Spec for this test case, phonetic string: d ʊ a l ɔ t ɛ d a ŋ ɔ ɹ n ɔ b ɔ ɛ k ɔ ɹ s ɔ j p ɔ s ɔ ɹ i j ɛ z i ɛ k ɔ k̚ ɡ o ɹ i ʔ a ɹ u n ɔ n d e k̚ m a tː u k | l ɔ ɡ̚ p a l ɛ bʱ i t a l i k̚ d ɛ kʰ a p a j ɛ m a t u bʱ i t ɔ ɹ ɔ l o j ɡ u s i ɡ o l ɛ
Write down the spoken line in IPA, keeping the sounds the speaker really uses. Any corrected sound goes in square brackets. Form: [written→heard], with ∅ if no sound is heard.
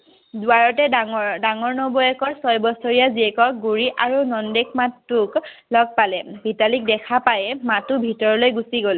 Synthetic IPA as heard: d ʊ a [l→ɹ] ɔ t ɛ d a ŋ ɔ ɹ n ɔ b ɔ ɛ k ɔ ɹ s ɔ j [p→b] ɔ s ɔ ɹ i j [ɛ→a] z i ɛ k ɔ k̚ ɡ [o→u] ɹ i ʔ a ɹ u n ɔ n d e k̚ m a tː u k | l ɔ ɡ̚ p a l ɛ bʱ i t a l i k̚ d ɛ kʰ a p a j ɛ m a t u bʱ i t ɔ ɹ ɔ l o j ɡ u s i ɡ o l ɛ